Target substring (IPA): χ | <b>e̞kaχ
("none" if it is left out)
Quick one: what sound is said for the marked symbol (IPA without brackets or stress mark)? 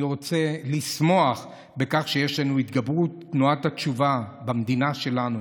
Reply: b